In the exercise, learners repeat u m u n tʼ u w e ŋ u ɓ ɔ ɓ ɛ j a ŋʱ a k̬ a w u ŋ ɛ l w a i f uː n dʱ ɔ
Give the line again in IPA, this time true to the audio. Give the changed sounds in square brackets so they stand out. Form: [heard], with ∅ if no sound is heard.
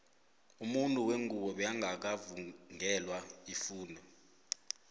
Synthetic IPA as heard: u m u n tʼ u w e ŋ u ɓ ɔ ɓ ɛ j a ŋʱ a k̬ a [v] u ŋ ɛ l w a i f uː n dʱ ɔ